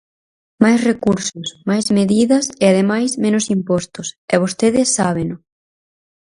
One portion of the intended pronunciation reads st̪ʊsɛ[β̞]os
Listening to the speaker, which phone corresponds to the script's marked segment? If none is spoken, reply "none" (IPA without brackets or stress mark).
β̞